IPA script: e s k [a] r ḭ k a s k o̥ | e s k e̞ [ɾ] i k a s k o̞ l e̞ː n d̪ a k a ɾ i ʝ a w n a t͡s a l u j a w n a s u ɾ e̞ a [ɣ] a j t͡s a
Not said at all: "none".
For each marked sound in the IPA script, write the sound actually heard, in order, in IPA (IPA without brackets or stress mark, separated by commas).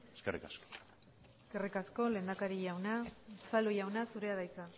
e, r, ð